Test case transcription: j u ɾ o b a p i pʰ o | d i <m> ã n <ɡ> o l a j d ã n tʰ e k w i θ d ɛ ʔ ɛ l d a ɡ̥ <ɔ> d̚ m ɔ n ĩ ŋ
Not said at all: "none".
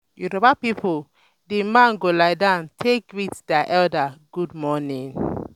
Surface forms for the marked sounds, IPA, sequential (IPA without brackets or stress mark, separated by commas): m, ɡ, u